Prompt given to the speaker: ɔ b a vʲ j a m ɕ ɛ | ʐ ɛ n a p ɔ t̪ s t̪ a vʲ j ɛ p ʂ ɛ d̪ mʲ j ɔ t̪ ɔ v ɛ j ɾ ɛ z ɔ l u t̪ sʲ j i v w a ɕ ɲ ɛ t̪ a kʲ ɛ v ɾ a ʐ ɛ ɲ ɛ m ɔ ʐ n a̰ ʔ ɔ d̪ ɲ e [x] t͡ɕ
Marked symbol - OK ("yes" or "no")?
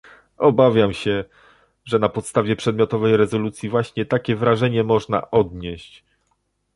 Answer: no